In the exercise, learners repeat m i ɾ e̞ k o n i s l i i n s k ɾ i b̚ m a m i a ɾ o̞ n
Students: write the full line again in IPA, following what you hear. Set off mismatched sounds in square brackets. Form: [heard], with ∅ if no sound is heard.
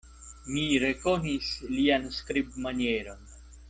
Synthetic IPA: m i ɾ e̞ k o n i s l i [a] n s k ɾ i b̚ m a [n] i [e] ɾ o̞ n